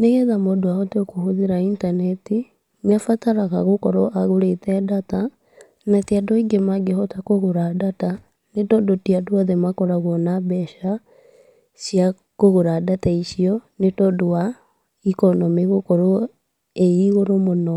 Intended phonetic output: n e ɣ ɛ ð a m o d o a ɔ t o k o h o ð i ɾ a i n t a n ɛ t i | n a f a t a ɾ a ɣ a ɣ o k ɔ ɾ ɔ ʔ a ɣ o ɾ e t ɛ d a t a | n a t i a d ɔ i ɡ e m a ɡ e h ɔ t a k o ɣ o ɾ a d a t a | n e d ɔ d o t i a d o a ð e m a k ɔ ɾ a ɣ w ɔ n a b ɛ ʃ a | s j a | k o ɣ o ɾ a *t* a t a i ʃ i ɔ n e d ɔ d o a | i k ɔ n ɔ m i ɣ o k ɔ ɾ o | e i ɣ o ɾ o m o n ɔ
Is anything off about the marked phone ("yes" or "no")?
yes